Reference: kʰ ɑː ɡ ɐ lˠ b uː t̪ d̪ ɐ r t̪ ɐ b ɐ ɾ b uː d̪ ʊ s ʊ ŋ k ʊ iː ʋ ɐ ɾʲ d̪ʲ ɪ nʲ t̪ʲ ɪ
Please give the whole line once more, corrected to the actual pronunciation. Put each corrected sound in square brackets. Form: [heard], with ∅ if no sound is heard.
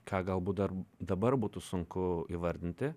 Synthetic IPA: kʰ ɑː ɡ ɐ lˠ b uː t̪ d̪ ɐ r [d̪] ɐ b ɐ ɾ b uː [t̪] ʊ s ʊ ŋ k ʊ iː ʋ ɐ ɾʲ d̪ʲ ɪ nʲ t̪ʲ ɪ